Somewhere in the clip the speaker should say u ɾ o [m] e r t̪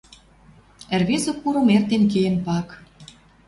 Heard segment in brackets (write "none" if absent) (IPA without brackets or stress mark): m